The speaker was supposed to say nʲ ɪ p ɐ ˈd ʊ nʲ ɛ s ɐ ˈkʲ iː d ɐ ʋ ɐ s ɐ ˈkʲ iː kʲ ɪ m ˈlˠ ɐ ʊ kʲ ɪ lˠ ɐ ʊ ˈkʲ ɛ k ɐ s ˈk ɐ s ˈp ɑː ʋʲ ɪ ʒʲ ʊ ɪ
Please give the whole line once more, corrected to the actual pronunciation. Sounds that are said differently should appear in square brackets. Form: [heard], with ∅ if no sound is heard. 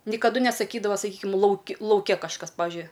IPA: nʲ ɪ [k] ɐ ˈd ʊ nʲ ɛ s ɐ ˈkʲ iː d ɐ ʋ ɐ s ɐ ˈkʲ iː kʲ ɪ m ˈlˠ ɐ ʊ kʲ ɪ lˠ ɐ ʊ ˈkʲ ɛ k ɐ [ʃ] ˈk ɐ s ˈp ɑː ʋʲ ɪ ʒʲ ʊ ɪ